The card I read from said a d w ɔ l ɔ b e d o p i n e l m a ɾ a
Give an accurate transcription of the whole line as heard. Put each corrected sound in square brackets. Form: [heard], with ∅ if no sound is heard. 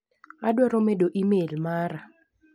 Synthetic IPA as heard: a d w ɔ [ɾ] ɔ [m] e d o [ʔ] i [m] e l m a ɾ a